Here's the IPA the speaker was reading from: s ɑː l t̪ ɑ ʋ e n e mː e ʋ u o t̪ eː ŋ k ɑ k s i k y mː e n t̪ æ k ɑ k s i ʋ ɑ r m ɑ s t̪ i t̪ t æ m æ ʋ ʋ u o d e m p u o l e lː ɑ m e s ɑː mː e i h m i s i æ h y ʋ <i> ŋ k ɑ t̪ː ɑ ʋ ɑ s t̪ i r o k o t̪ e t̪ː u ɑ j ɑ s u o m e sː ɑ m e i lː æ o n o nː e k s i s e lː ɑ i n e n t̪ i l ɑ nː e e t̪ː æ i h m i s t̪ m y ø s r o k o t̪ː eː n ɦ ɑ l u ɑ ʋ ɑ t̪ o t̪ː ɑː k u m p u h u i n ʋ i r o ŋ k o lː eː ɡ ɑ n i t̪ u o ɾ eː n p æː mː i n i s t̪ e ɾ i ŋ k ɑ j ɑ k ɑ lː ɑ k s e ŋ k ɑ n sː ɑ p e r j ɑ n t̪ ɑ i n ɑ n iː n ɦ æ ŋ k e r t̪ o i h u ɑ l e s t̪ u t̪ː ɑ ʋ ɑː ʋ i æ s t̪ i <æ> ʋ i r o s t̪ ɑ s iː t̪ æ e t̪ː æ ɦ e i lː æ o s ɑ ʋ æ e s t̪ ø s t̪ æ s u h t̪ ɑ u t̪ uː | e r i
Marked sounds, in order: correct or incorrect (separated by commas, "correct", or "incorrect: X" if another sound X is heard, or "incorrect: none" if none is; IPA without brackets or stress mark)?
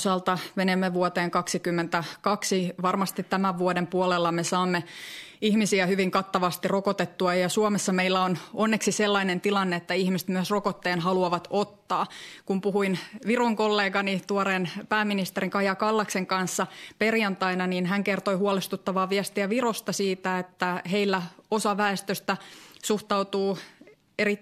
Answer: correct, correct